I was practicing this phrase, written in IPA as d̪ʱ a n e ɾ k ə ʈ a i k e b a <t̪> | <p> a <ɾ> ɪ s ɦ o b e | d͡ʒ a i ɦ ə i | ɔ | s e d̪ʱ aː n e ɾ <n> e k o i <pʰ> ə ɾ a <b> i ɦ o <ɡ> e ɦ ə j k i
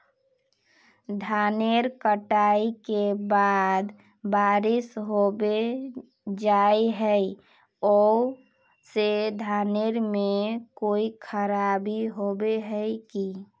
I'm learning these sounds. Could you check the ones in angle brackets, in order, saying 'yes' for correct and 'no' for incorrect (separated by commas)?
no, no, yes, no, no, yes, no